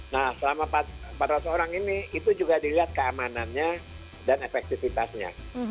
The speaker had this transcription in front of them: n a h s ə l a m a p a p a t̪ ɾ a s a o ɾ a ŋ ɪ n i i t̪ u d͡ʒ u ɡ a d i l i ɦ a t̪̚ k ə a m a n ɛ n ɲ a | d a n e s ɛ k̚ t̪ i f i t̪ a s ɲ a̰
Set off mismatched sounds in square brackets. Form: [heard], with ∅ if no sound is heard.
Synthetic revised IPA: n a h s ə l a m a p a p a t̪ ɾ a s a o ɾ a ŋ [i] n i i t̪ u d͡ʒ u ɡ a d i l i ɦ a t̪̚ k ə a m a n [a] n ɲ a | d a n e [f] ɛ k̚ t̪ i f i t̪ a s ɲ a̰